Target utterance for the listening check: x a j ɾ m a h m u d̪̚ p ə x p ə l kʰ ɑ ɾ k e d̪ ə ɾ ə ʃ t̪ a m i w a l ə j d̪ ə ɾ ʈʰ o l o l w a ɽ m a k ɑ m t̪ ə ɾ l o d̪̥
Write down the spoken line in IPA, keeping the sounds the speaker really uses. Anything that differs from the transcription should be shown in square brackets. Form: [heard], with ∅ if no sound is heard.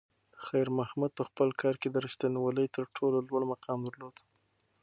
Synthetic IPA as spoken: x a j ɾ m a h m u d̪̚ p ə x p ə l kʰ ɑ ɾ k e d̪ ə ɾ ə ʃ t̪ a [n] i w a l ə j [t̪] ə ɾ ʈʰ o l o l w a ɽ m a [q] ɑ m [d̪] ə ɾ l o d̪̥